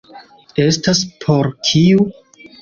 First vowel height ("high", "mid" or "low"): mid